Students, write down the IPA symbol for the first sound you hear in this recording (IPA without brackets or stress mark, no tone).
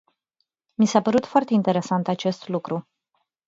m